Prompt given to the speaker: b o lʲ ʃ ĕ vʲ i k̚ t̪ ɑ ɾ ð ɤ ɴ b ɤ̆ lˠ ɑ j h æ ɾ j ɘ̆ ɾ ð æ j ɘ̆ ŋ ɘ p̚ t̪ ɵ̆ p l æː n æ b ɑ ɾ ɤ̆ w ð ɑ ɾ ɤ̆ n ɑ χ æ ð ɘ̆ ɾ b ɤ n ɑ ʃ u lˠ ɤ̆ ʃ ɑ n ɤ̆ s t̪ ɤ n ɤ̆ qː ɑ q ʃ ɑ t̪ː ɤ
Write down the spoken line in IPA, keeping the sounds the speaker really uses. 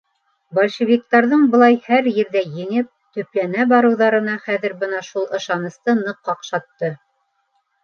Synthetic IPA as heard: b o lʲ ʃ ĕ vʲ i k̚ t̪ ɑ ɾ ð ɤ ɴ b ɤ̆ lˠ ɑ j h æ ɾ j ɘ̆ ɾ ð æ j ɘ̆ ŋ ɘ p̚ t̪ ɵ̆ p l æ n æ b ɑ ɾ ɤ̆ w ð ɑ ɾ ɤ̆ n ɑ χ æ ð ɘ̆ ɾ b ɤ n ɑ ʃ u lˠ ɤ̆ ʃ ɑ n ɤ̆ s t̪ ɤ n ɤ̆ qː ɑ q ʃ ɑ t̪ː ɤ